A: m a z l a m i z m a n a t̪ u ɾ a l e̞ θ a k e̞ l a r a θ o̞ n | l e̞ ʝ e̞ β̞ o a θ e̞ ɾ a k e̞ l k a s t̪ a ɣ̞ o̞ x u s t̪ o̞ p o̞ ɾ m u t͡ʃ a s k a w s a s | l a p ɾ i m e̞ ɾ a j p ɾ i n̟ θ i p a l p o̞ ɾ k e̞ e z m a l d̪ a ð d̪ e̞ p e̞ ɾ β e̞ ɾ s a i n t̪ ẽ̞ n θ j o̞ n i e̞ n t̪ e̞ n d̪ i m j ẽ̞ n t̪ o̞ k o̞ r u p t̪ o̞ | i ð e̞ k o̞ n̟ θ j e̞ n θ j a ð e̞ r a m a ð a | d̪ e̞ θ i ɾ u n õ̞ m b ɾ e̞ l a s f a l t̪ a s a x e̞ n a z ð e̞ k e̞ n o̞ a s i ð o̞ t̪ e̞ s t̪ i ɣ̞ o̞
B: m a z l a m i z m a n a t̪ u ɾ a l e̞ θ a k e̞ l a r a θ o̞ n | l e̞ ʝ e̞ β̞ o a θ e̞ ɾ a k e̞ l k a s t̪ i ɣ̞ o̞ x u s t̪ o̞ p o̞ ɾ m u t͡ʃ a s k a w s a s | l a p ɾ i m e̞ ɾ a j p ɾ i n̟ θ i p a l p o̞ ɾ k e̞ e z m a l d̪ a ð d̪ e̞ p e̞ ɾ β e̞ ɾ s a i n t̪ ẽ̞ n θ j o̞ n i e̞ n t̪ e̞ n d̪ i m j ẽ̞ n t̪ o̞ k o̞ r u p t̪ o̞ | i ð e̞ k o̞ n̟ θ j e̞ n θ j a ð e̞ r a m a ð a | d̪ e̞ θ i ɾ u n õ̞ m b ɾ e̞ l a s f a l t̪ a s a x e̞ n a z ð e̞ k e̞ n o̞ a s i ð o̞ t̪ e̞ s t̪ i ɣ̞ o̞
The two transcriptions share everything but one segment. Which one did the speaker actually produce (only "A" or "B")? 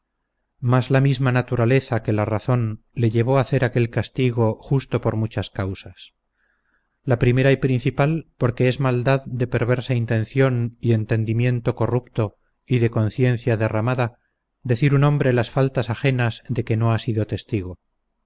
B